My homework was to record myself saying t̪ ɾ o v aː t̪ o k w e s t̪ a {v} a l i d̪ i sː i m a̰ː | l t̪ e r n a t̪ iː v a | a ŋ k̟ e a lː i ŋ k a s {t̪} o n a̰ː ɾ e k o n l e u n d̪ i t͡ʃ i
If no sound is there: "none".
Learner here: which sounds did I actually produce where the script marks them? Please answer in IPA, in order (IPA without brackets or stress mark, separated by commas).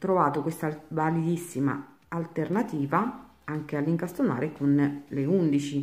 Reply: v, t̪